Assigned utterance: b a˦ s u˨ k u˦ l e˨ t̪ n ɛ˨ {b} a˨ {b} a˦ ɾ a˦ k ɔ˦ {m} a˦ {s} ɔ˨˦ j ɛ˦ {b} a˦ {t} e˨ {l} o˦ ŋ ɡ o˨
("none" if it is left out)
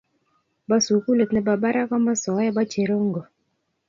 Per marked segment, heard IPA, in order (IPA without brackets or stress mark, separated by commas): b, b, m, s, b, t͡ʃ, ɾ